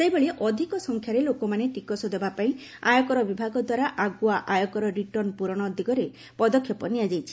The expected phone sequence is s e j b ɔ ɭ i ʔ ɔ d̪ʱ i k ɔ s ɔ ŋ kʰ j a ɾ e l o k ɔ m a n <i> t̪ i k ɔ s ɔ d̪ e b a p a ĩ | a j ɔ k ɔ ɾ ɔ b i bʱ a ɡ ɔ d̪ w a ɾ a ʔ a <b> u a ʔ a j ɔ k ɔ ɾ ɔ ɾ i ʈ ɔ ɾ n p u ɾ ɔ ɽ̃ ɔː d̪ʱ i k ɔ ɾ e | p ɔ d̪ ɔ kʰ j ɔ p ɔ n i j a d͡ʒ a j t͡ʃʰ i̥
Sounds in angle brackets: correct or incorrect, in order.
incorrect: e, incorrect: ɡ

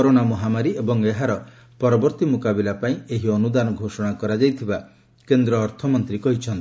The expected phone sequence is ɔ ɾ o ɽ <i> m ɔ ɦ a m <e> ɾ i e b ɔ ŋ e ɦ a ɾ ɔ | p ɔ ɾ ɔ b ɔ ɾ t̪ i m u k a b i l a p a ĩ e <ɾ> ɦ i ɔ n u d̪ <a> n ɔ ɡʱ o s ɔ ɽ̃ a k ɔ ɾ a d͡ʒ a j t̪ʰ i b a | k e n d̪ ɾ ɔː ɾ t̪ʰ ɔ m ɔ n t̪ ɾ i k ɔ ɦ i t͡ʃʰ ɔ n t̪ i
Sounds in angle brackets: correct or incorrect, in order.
incorrect: a, incorrect: a, incorrect: none, correct

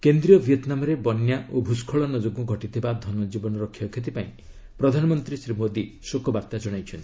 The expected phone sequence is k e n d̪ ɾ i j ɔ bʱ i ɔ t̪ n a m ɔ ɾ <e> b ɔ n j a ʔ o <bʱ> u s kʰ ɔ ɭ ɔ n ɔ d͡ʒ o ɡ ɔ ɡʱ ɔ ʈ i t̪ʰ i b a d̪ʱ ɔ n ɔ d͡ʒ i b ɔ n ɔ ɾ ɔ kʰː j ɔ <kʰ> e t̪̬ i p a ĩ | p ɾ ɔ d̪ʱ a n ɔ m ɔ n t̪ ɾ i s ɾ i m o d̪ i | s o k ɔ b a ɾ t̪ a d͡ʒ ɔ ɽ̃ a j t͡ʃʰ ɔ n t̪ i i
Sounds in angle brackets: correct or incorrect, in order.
correct, correct, correct

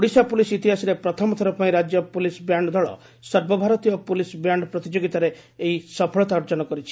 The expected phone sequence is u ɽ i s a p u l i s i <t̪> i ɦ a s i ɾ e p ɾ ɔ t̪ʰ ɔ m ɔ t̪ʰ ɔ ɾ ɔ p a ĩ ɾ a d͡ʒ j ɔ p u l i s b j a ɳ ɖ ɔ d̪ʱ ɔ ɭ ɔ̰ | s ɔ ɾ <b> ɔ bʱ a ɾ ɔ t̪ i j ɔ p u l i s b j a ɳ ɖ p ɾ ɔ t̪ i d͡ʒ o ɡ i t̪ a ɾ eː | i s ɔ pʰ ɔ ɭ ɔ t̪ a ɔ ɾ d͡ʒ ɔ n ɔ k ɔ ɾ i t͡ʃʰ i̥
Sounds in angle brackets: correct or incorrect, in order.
correct, correct

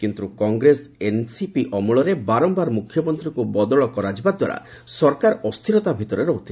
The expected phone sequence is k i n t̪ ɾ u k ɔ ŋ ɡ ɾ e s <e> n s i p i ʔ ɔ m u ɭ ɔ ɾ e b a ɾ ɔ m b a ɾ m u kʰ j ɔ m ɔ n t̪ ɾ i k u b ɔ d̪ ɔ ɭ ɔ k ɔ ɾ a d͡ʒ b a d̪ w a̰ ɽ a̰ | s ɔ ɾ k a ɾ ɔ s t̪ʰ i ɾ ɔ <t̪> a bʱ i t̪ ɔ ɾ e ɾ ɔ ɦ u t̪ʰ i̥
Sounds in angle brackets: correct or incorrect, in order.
correct, correct

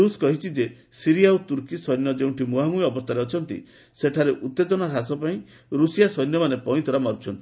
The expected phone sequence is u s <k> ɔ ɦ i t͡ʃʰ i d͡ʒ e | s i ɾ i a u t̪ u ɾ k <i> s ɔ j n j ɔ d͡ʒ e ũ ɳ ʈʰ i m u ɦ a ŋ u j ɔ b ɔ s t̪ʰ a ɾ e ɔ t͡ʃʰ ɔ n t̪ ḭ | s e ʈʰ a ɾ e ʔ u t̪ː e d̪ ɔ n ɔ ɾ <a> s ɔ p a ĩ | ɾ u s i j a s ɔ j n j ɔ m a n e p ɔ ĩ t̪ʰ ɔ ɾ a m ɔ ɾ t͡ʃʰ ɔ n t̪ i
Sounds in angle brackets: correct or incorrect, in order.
correct, correct, correct

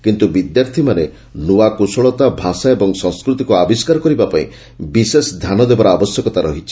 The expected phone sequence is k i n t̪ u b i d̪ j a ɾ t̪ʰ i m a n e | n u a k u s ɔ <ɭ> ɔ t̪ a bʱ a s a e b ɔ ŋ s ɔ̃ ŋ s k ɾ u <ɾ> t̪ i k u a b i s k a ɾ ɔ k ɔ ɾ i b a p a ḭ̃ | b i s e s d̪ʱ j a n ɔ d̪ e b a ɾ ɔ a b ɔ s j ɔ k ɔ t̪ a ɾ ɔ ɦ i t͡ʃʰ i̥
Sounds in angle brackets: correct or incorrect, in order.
correct, incorrect: none

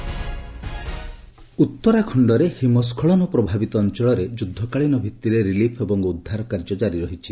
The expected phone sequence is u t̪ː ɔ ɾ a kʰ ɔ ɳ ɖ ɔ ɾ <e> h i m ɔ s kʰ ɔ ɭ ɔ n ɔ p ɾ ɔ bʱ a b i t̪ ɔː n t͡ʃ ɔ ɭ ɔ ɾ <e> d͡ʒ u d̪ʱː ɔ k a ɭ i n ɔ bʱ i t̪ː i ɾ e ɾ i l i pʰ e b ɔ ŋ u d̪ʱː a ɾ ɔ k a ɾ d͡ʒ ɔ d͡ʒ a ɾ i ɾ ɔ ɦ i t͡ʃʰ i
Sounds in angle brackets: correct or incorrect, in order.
correct, correct

